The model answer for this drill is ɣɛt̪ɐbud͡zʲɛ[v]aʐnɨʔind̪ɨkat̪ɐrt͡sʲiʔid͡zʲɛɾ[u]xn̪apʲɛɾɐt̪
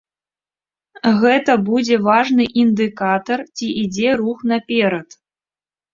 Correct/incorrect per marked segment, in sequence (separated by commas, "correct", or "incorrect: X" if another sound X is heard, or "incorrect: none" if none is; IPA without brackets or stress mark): correct, correct